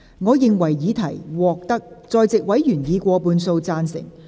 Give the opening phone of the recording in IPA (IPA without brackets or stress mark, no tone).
ŋ